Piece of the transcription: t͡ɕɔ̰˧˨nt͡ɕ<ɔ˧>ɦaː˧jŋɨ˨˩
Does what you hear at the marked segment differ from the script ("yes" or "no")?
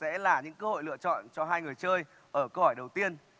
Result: no